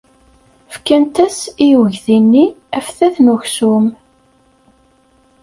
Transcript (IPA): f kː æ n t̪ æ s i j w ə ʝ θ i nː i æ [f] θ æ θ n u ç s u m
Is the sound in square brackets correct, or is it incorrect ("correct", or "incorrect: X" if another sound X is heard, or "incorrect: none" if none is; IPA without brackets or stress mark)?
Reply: correct